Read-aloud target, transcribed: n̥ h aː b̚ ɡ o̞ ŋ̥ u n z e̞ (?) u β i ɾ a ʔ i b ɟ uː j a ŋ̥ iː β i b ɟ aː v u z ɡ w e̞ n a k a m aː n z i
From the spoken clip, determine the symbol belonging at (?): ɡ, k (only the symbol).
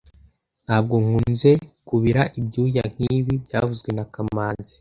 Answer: k